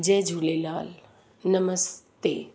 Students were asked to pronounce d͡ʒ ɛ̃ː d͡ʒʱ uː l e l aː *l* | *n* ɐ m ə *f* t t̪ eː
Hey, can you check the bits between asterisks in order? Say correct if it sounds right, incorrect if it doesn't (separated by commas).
correct, correct, incorrect